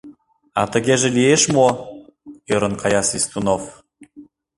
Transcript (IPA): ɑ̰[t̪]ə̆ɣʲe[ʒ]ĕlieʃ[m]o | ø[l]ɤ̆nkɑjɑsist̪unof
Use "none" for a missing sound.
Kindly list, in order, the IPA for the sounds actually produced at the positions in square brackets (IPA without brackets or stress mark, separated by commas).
t̪, ʒ, m, ɾ